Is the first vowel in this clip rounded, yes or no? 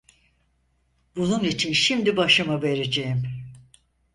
yes